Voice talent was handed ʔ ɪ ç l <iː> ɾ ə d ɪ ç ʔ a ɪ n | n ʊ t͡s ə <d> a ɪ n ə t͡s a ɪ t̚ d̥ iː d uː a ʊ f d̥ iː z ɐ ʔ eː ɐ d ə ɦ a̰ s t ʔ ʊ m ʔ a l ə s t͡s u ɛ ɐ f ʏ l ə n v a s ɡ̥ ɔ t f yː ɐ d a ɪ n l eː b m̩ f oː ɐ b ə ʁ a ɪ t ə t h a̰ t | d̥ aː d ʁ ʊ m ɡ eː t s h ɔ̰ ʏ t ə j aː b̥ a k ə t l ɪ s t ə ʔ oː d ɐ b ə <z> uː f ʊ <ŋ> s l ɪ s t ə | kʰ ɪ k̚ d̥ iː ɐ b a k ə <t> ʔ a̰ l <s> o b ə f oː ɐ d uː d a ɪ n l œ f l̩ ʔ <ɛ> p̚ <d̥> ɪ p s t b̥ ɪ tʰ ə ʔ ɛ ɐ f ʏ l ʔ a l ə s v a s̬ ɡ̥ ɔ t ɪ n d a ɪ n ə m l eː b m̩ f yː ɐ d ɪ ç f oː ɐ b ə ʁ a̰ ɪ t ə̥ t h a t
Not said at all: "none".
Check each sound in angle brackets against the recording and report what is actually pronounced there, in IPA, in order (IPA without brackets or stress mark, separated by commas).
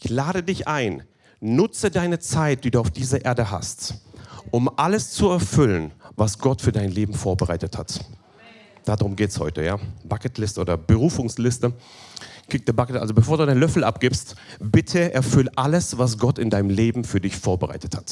aː, d, ʁ, ŋ, t, z, a, ɡ̥